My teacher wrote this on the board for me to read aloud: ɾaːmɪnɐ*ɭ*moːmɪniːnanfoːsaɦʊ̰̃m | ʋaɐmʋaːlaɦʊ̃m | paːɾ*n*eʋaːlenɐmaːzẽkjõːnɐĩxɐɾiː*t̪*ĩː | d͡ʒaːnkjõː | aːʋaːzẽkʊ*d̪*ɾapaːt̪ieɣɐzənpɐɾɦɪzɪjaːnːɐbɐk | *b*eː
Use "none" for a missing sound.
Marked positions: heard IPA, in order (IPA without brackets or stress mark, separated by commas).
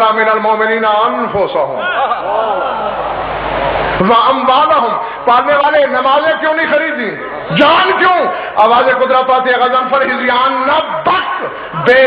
l, n, d̪, d̪, b